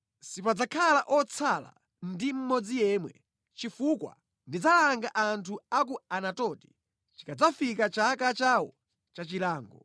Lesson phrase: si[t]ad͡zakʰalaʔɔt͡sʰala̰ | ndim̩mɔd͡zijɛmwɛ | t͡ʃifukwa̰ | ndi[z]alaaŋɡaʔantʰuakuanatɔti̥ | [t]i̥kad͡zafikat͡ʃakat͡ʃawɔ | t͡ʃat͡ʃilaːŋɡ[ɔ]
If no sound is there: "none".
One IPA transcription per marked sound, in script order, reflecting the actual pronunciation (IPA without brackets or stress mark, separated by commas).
p, d͡z, t͡ʃ, ɔ